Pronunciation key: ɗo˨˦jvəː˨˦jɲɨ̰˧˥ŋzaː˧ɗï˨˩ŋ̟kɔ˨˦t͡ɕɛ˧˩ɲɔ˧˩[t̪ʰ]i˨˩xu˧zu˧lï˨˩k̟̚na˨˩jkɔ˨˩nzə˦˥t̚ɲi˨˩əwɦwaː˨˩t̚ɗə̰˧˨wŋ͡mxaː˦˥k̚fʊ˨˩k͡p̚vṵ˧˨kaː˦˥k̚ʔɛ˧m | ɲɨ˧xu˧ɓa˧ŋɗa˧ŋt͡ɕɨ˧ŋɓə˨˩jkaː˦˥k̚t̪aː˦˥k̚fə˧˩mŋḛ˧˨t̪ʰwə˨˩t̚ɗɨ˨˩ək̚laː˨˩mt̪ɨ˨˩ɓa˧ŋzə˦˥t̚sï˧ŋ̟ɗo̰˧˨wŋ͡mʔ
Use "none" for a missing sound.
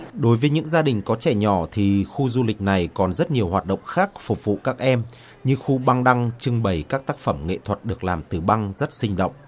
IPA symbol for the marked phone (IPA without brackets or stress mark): t̪ʰ